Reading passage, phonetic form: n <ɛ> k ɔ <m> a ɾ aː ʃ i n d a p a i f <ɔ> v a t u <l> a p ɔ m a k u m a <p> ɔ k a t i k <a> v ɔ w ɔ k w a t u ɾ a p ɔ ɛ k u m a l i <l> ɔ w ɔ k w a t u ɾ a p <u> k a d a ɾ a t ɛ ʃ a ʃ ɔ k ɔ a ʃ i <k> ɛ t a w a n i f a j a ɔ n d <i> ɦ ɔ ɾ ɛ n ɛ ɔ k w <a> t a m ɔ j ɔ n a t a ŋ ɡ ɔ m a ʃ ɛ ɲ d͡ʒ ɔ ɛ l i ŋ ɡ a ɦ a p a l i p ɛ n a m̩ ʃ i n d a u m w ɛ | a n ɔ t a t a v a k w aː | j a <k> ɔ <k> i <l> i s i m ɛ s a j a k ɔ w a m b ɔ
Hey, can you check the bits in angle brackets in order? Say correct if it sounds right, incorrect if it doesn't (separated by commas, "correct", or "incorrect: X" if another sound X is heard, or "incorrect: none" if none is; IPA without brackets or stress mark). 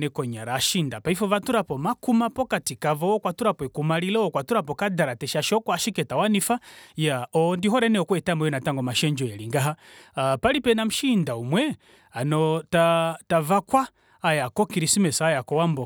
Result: correct, incorrect: ɲ, correct, incorrect: ɾ, correct, correct, correct, incorrect: ɔ, correct, correct, incorrect: ɛ, correct, correct, incorrect: ɾ